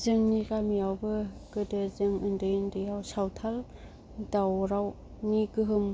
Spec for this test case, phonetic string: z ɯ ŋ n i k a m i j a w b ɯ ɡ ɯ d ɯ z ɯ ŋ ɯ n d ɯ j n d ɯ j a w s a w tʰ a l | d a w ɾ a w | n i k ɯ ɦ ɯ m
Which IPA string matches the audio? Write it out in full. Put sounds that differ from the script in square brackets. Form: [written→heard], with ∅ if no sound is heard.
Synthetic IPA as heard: z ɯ ŋ n i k a m i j a w b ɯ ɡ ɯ d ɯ z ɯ ŋ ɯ n d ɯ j n d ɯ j a w s a w tʰ a l | d a w ɾ a w | n i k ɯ ɦ ɯ m

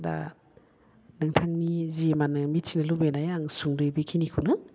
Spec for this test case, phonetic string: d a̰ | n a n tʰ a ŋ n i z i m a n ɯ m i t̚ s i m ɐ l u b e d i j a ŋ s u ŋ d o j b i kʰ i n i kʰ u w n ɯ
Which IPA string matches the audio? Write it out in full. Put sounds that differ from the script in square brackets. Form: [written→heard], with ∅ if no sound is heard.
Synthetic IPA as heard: d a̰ | n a [n→ŋ] tʰ a ŋ n i z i m a n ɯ m i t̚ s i [m→n] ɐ l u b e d [i→a] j a ŋ s u ŋ d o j b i kʰ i n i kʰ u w n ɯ

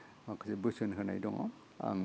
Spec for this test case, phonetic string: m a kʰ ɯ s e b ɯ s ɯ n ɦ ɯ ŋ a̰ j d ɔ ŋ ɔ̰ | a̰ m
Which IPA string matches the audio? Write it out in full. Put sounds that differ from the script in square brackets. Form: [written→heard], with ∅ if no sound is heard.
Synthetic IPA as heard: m a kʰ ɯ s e b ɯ s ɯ n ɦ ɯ [ŋ→n] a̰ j d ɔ ŋ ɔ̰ | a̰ [m→ŋ]

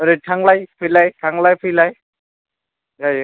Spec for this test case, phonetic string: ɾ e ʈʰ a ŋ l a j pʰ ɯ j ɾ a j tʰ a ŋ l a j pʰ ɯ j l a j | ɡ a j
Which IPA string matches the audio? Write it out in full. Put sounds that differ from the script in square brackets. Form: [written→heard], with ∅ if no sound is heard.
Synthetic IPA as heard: ɾ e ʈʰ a ŋ l a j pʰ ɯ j [ɾ→l] a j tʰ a ŋ l a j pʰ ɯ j l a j | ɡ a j

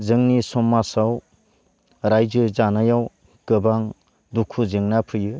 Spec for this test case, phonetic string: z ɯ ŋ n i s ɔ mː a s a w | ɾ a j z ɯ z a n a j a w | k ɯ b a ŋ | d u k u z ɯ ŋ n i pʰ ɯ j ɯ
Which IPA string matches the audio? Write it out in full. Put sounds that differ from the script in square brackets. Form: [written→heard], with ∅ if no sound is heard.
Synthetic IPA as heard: z ɯ ŋ n i s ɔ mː a s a w | ɾ a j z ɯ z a n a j a w | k ɯ b a ŋ | d u [k→kʰ] u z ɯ ŋ n [i→a] pʰ ɯ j ɯ

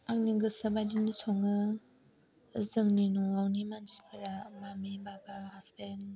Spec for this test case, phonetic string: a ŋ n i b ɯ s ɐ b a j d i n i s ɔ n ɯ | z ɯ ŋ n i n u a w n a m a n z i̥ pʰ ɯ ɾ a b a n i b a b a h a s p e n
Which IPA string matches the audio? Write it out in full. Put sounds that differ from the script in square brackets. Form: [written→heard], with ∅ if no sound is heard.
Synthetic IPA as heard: a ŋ n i [b→ɡ] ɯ s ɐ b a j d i n i s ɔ [n→ŋ] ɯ | z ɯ ŋ n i n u a w n [a→i] m a n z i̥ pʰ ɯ ɾ a [b→m] a [n→m] i b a b a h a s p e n

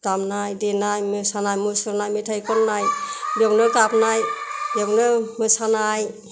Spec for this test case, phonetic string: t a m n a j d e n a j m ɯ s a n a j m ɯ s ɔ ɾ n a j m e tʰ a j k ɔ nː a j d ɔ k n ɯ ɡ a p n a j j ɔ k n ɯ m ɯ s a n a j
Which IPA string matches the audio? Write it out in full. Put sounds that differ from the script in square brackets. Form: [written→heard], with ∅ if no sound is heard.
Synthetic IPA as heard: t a m n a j d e n a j m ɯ s a n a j m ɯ s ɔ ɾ n a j m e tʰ a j k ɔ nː a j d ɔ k n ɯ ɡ a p n a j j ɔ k n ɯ m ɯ s a n a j

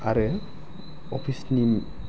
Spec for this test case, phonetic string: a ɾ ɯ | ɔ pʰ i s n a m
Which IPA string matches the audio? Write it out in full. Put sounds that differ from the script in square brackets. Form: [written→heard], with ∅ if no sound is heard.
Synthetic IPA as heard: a ɾ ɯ | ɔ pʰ i s n [a→i] m

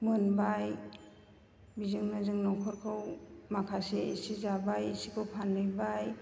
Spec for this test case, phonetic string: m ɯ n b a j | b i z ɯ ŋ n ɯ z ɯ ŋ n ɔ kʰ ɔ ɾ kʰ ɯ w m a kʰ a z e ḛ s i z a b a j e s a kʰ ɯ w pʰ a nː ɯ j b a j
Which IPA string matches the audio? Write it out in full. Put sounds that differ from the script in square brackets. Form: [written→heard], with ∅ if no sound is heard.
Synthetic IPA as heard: m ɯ n b a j | b i z ɯ ŋ n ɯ z ɯ ŋ n ɔ kʰ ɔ ɾ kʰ ɯ w m a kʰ a [z→s] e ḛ s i z a b a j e s [a→i] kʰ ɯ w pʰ a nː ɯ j b a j

